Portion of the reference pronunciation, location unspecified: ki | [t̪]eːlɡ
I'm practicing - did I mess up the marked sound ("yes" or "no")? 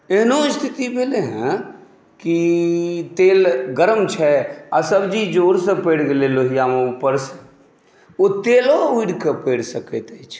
no